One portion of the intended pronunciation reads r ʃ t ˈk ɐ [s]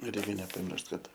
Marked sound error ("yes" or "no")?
yes